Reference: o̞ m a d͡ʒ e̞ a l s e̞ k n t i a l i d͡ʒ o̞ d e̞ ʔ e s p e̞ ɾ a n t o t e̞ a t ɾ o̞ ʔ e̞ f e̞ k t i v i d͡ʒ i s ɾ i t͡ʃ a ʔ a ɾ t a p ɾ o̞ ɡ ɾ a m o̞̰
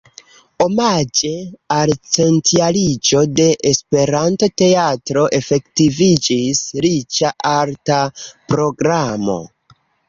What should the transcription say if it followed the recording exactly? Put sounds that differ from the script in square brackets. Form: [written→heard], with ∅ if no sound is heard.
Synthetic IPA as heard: o̞ m a d͡ʒ e̞ a l [s→t͡s] e̞ [k→∅] n t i a l i d͡ʒ o̞ d e̞ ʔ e s p e̞ ɾ a n t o t e̞ a t ɾ o̞ ʔ e̞ f e̞ k t i v i d͡ʒ i s ɾ i t͡ʃ a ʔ a ɾ t a p ɾ o̞ ɡ ɾ a m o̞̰

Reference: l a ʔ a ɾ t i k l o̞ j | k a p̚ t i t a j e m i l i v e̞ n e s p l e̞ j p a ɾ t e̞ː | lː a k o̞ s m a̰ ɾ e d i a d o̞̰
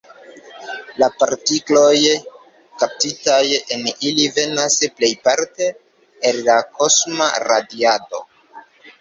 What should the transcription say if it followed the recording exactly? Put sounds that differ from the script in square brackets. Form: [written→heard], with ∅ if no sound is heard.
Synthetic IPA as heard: l a [ʔ→p] a ɾ t i k l o̞ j | k a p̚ t i t a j e [m→n] i l i v e̞ n [e→a] s p l e̞ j p a ɾ t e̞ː | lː a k o̞ s m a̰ ɾ [e→a] d i a d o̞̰

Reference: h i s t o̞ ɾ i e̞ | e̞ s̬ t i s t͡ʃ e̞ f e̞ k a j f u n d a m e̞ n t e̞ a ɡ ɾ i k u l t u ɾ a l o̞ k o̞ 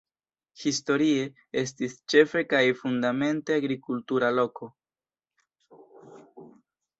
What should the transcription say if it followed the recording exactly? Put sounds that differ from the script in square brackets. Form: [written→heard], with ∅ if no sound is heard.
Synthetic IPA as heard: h i s t o̞ ɾ i e̞ | e̞ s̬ t i s t͡ʃ e̞ f e̞ k a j f u n d a m e̞ n t e̞ a ɡ ɾ i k u l t u ɾ a l o̞ k o̞

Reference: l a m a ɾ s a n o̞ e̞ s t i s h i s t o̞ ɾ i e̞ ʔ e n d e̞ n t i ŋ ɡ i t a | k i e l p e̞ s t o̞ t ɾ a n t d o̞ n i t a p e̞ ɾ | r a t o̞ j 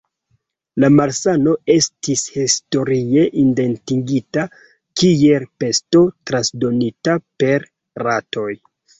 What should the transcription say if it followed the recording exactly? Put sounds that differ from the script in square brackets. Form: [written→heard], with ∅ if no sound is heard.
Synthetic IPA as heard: l a m a ɾ s a n o̞ e̞ s t i s h i s t o̞ ɾ i e̞ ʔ [e→i] n d e̞ n t i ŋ ɡ i t a | k i e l p e̞ s t o̞ t ɾ a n [t→s] d o̞ n i t a p e̞ ɾ | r a t o̞ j

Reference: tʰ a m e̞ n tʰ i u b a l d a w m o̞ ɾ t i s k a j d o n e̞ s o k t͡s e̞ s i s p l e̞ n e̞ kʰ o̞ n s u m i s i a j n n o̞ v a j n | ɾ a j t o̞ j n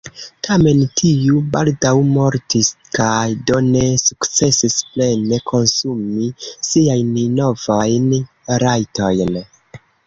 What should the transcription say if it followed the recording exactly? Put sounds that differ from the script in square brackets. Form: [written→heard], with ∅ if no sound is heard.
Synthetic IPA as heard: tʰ a m e̞ n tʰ i u b a l d a w m o̞ ɾ t i s k a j d o n e̞ s [o→u] k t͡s e̞ s i s p l e̞ n e̞ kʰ o̞ n s u m i s i a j n n o̞ v a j n | ɾ a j t o̞ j n

